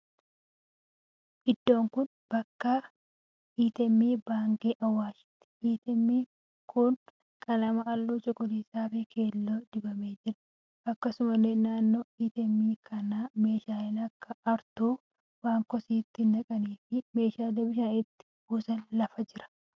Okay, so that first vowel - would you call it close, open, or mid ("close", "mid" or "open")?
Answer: close